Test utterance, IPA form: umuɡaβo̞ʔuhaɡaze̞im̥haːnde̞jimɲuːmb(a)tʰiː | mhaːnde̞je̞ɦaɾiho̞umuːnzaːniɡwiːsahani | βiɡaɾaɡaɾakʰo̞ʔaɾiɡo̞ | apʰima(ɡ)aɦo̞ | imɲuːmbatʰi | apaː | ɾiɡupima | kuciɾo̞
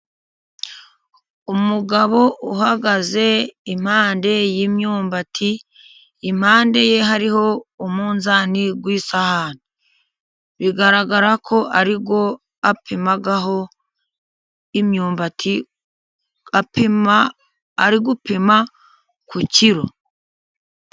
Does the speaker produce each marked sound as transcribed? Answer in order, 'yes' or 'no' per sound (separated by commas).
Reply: yes, yes